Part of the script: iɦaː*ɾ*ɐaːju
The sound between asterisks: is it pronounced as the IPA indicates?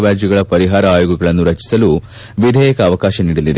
yes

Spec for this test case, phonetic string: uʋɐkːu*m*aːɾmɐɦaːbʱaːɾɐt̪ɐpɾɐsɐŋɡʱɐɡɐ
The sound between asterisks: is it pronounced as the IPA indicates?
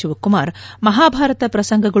yes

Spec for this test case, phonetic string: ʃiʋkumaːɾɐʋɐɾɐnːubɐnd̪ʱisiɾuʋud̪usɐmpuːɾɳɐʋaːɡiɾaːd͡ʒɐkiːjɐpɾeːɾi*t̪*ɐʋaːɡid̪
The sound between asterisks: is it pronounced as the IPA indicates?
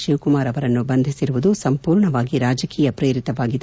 yes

